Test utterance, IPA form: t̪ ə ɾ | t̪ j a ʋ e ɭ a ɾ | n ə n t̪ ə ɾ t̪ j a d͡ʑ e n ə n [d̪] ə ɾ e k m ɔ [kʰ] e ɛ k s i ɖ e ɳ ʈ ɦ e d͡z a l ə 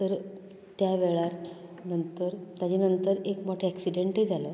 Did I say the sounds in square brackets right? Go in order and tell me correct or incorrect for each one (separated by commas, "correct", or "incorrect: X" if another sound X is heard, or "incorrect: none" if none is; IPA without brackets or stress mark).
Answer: incorrect: t̪, incorrect: ʈʰ